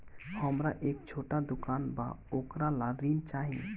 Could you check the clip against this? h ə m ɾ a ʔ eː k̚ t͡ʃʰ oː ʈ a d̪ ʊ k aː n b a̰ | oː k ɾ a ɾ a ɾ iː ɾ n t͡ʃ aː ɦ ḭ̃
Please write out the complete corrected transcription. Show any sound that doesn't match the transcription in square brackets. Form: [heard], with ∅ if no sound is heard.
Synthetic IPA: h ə m ɾ a ʔ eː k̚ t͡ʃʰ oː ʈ a d̪ ʊ k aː n b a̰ | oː k ɾ a [l] a ɾ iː [∅] n t͡ʃ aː ɦ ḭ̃